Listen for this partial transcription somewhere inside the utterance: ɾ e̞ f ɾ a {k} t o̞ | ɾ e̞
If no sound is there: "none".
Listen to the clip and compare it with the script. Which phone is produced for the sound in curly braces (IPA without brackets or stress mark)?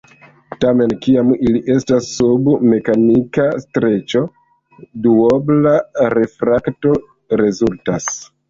k